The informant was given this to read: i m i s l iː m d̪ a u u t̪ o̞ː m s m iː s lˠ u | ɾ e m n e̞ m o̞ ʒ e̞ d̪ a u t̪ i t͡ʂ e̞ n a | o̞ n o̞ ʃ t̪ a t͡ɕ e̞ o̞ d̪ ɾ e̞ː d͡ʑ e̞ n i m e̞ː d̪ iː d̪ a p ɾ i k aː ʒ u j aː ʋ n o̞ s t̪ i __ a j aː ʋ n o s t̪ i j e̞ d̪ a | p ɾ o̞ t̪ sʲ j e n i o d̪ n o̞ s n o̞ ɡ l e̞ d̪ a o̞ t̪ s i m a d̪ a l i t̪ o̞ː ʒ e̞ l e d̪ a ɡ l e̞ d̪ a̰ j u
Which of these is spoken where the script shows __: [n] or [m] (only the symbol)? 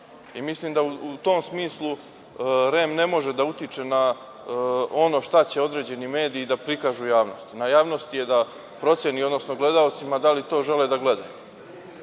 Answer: n